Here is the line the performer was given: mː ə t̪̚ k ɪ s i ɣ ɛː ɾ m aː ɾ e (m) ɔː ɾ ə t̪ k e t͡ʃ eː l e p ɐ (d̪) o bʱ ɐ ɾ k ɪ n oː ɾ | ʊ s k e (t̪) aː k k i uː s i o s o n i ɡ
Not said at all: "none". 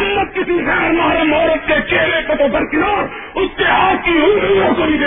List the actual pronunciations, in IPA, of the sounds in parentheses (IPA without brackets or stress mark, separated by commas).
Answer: m, t̪, none